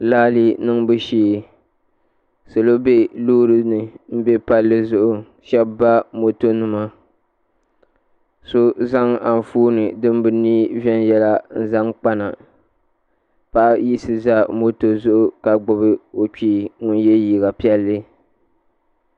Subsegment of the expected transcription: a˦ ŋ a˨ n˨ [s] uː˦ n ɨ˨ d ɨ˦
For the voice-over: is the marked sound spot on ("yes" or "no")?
no